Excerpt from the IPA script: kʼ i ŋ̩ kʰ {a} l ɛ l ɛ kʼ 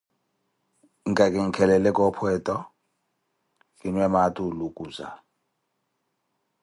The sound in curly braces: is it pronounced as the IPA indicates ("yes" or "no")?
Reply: no